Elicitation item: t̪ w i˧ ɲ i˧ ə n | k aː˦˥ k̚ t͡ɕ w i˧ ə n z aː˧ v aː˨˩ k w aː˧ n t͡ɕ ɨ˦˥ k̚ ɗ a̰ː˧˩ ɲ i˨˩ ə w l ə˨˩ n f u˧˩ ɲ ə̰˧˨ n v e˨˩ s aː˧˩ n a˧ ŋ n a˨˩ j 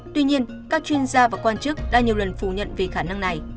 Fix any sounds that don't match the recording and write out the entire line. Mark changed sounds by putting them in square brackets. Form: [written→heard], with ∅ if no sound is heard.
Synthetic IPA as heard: t̪ w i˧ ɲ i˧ ə n | k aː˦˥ k̚ t͡ɕ w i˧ ə n z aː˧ v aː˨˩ k w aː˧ n t͡ɕ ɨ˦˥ k̚ ɗ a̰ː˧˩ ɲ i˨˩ ə w l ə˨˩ n f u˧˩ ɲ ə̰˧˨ n v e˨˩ [s→x] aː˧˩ n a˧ ŋ n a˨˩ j